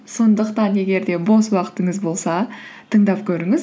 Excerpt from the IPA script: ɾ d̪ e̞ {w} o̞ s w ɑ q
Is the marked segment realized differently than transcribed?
yes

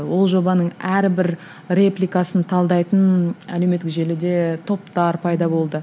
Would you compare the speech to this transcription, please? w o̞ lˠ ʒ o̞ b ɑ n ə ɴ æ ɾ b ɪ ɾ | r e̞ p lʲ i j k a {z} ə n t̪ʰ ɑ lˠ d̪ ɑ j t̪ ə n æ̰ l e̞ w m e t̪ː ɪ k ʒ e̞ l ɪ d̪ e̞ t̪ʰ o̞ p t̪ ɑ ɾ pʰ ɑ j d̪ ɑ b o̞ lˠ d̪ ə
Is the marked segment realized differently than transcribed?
yes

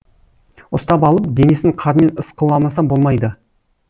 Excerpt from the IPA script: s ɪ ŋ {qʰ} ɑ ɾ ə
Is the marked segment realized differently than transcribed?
no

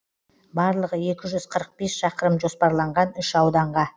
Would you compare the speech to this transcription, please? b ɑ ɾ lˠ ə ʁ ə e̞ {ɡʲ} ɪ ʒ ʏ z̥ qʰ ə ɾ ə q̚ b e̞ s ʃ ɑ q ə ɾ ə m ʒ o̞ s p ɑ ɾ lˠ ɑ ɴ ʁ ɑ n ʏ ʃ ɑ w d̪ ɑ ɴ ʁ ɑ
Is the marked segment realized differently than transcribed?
yes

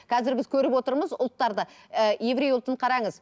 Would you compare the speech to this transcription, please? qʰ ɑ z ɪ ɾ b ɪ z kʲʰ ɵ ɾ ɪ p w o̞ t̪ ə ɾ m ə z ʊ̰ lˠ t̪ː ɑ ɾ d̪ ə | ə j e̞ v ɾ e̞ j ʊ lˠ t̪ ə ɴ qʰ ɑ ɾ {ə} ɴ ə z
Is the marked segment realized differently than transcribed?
yes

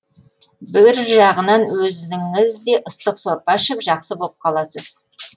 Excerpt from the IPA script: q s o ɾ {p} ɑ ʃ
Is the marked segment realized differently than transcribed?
no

